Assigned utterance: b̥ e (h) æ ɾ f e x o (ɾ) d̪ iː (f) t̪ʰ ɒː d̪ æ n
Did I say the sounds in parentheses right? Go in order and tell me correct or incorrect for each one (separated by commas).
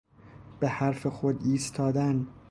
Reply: correct, incorrect, incorrect